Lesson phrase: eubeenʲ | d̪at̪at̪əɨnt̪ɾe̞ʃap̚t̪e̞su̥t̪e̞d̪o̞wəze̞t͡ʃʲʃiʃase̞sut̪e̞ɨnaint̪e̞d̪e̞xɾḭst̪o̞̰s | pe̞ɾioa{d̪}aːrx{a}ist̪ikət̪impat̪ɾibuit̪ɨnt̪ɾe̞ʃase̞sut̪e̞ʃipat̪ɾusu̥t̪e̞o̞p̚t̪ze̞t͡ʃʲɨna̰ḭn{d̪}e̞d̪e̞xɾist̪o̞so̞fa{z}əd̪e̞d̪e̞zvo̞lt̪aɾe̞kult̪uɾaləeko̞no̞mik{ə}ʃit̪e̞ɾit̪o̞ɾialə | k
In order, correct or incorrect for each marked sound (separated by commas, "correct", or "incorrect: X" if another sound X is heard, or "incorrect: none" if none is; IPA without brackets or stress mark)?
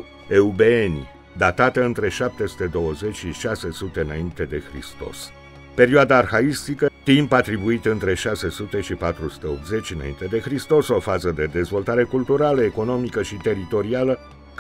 correct, correct, incorrect: t̪, correct, correct